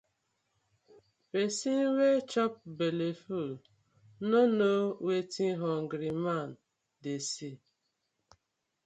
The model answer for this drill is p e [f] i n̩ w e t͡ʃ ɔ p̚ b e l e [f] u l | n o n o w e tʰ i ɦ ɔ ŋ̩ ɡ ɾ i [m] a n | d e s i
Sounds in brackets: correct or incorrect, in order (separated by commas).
incorrect, correct, correct